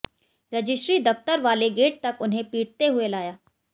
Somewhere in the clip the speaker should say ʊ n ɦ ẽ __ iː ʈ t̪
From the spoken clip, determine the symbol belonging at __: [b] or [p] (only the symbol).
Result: p